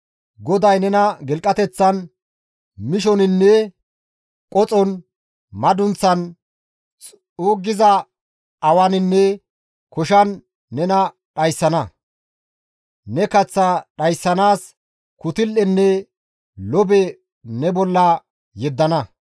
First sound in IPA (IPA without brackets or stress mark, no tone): ɡ